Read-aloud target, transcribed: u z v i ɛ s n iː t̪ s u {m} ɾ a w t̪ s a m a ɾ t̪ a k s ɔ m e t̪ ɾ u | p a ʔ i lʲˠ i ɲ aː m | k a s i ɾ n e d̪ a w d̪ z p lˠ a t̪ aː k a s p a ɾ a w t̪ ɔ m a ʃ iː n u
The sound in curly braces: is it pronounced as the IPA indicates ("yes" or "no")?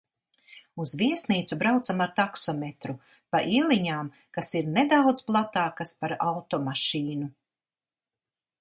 no